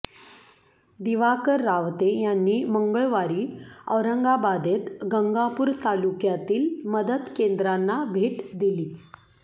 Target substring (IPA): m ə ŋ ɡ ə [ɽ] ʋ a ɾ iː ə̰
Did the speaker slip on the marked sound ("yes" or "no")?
yes